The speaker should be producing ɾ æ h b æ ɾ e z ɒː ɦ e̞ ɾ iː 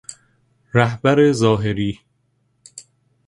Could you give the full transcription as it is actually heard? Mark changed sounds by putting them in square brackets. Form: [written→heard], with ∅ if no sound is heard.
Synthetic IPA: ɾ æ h b æ ɾ e z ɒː ɦ e̞ ɾ iː

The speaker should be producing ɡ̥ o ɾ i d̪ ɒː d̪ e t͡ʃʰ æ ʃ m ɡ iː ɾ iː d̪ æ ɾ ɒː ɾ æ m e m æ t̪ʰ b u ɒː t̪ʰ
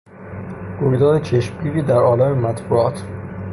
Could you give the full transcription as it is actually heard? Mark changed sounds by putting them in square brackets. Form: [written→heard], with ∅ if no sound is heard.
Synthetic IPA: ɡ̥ o ɾ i d̪ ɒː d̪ e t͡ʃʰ [æ→e] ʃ m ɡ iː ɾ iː d̪ æ ɾ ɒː [ɾ→l] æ m e m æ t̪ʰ b u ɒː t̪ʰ

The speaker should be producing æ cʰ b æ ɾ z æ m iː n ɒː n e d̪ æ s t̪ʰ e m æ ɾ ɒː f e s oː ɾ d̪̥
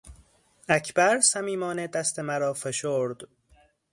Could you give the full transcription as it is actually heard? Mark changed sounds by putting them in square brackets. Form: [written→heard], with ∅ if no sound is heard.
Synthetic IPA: æ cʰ b æ ɾ [z→s] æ m iː [n→m] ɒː n e d̪ æ s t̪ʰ e m æ ɾ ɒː f e [s→ʃ] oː ɾ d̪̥

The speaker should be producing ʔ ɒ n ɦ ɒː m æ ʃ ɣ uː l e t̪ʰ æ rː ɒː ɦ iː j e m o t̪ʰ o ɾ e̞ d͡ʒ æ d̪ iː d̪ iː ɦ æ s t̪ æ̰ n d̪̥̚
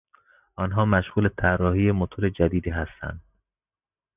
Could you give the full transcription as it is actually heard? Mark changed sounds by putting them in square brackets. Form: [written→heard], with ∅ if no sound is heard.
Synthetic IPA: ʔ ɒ n ɦ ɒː m æ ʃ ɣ uː l e t̪ʰ æ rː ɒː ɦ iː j e m o t̪ʰ o ɾ e̞ d͡ʒ æ d̪ iː d̪ iː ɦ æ s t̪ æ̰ n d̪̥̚

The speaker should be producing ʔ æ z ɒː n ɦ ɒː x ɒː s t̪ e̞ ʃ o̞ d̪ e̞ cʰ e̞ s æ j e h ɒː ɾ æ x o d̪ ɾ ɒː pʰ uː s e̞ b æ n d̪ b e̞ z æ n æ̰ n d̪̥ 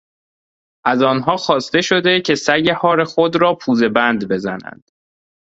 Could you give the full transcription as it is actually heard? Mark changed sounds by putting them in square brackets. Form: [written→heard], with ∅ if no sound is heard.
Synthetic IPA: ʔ æ z ɒː n ɦ ɒː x ɒː s t̪ e̞ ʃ o̞ d̪ e̞ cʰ e̞ s æ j e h ɒː ɾ [æ→e] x o d̪ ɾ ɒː pʰ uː [s→z] e̞ b æ n d̪ b e̞ z æ n æ̰ n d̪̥

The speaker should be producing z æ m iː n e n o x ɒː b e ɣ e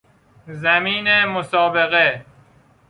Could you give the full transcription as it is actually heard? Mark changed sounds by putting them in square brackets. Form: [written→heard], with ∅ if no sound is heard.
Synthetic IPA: z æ m iː n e [n→m] o [x→s] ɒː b e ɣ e

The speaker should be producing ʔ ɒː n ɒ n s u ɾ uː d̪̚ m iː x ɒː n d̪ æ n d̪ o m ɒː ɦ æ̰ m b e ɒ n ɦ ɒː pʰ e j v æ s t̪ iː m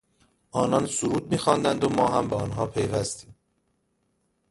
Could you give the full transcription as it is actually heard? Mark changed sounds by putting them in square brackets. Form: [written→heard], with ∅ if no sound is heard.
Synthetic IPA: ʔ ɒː n ɒ n s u ɾ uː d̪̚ m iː x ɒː n d̪ æ n d̪ o m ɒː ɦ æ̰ m b e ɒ n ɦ ɒː pʰ e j v æ s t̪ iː m

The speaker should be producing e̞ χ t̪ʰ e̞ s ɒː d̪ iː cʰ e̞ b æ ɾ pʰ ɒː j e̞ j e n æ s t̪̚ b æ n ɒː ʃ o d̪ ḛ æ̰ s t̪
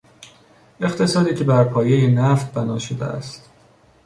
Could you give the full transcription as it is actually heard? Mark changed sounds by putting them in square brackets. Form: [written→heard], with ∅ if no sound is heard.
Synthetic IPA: e̞ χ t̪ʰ e̞ s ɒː d̪ iː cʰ e̞ b æ ɾ pʰ ɒː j e̞ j e n æ [s→f] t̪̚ b æ n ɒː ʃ o d̪ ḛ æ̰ s t̪

